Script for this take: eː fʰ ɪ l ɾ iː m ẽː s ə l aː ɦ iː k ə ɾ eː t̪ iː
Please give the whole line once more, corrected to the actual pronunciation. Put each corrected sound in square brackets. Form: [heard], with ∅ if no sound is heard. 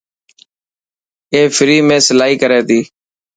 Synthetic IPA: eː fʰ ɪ [∅] ɾ iː m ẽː s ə l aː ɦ iː k ə ɾ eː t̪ iː